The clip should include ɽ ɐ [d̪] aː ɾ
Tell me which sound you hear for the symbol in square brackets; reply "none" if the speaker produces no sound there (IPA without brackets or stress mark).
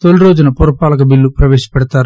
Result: t̪